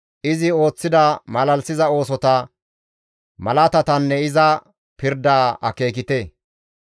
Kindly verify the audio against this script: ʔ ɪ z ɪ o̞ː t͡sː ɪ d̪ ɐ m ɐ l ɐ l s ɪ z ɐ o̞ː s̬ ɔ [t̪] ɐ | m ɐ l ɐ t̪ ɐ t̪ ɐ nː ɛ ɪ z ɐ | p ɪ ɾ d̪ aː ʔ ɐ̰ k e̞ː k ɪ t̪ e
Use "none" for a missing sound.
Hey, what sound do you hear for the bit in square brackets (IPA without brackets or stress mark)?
t̪